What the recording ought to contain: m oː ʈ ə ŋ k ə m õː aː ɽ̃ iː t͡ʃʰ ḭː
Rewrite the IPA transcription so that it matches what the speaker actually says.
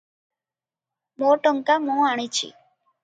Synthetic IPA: m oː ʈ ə ŋ k a m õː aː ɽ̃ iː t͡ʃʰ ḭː